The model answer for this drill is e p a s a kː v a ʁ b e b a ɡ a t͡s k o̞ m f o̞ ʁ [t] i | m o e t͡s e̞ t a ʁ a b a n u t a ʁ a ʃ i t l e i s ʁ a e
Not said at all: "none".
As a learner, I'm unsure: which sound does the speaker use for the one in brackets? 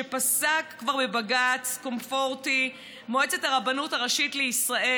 t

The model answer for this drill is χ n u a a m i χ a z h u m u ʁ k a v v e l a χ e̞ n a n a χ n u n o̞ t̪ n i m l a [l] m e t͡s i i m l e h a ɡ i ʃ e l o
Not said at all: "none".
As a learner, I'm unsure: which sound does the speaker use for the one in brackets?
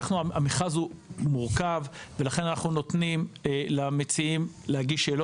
none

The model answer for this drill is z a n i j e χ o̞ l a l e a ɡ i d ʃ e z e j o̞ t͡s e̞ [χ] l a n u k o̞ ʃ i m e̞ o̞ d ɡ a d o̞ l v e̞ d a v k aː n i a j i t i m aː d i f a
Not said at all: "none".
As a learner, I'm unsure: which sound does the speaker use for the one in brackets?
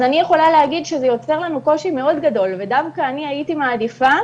ʁ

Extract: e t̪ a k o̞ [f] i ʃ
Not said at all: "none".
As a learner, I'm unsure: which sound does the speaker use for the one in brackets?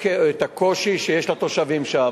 ʃ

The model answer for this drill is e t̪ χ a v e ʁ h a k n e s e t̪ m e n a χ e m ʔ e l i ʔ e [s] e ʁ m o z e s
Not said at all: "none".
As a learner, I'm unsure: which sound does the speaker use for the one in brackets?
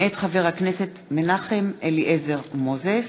z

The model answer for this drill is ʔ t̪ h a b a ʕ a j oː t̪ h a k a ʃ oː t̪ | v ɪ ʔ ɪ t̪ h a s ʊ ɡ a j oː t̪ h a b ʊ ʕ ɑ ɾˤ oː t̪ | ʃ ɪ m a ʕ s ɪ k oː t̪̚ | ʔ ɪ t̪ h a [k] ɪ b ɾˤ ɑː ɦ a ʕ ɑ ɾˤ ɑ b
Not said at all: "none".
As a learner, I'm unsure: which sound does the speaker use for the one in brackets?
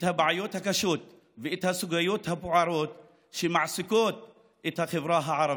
x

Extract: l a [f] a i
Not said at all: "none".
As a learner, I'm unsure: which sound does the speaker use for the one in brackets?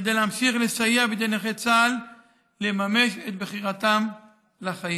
χ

